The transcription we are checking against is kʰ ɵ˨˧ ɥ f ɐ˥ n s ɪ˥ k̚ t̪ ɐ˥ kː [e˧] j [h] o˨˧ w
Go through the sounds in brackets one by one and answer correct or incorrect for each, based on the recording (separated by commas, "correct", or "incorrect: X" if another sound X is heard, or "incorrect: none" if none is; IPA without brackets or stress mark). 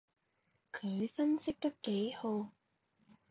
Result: incorrect: e˨˥, correct